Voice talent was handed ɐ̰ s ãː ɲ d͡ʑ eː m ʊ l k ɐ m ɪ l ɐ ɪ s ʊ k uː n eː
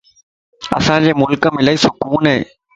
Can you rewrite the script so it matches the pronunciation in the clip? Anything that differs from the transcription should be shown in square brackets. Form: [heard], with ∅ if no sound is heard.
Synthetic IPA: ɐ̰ s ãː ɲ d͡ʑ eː m ʊ l k ɐ m ɪ l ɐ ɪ s ʊ k uː n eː